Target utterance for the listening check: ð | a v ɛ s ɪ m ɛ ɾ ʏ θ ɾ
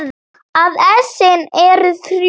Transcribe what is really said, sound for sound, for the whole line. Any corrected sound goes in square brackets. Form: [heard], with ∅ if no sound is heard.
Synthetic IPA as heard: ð | a [ð] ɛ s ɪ [n] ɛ ɾ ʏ θ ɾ